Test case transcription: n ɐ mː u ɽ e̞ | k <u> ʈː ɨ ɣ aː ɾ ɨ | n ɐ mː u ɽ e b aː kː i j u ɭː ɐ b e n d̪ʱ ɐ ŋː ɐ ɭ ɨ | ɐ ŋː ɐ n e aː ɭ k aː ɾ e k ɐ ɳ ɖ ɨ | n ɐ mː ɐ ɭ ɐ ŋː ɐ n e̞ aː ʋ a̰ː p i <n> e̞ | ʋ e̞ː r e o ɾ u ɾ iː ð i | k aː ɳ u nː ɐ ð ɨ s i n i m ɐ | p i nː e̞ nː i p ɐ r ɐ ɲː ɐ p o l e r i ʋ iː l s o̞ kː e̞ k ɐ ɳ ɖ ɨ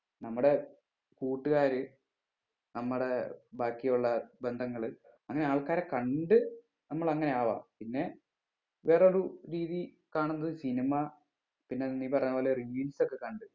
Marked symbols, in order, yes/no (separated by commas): no, no